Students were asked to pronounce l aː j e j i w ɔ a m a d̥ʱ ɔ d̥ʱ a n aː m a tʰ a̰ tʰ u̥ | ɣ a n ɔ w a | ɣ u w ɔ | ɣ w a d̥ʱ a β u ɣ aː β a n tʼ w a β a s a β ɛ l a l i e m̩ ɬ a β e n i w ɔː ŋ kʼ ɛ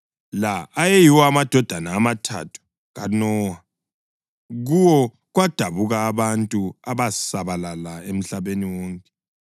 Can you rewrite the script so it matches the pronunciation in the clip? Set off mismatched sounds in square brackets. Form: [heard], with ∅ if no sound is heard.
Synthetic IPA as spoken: l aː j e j i w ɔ a m a d̥ʱ ɔ d̥ʱ a n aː m a tʰ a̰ tʰ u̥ | ɣ a n ɔ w a | ɣ u w ɔ | ɣ w a d̥ʱ a β u ɣ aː β a n tʼ [u] a β a s a β [a] l a l [a] e m̩ ɬ a β e n i w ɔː ŋ kʼ ɛ

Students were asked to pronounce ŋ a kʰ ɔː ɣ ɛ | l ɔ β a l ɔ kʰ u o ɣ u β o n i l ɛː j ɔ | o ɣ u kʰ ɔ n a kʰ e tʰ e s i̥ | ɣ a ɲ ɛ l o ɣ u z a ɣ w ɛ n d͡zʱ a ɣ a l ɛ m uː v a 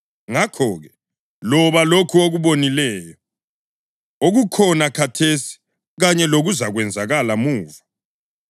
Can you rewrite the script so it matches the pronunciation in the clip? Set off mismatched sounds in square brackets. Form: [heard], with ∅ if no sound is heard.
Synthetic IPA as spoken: ŋ a kʰ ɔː ɣ ɛ | l ɔ β a l [o] kʰ u o ɣ u β o n i l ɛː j ɔ | o ɣ u kʰ ɔ n a kʰ [a] tʰ e s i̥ | ɣ a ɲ ɛ l o ɣ u z a ɣ w ɛ n d͡zʱ a ɣ a l [a] m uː v a

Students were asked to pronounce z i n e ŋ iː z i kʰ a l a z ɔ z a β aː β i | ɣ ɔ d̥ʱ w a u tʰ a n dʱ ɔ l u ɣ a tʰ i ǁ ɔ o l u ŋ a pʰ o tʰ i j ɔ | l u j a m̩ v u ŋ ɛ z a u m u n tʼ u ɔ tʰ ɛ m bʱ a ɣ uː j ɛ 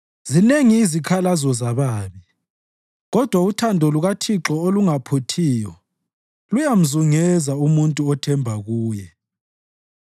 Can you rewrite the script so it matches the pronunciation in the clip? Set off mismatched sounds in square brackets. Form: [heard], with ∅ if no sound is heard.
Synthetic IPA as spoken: z i n e ŋ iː z i kʰ a l a z ɔ z a β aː β i | ɣ ɔ d̥ʱ w a u tʰ a n dʱ ɔ l u ɣ a tʰ i ǁ ɔ o l u ŋ a pʰ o tʰ i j ɔ | l u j a m̩ [z] u ŋ ɛ z a u m u n tʼ u ɔ tʰ ɛ m bʱ a ɣ uː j ɛ

